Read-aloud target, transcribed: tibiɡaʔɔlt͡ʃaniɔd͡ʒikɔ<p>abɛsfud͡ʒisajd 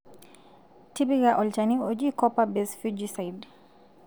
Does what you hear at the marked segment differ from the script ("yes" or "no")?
no